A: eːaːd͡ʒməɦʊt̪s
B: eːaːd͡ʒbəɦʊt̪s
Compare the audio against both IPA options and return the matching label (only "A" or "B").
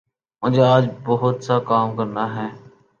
B